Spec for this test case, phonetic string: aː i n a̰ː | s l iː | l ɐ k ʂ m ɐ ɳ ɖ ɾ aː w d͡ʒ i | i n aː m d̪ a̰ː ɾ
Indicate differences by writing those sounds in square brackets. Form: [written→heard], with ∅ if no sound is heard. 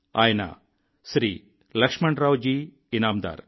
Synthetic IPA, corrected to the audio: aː [i→j] n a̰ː | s [l→ɾ] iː | l ɐ k ʂ m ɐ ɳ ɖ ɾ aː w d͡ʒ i | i n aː m d̪ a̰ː ɾ